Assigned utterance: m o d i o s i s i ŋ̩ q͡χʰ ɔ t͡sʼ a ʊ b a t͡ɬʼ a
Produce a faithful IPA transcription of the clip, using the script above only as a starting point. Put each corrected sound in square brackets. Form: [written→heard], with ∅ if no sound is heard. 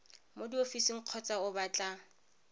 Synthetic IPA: m o d i o [s→f] i s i ŋ̩ q͡χʰ ɔ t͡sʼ a ʊ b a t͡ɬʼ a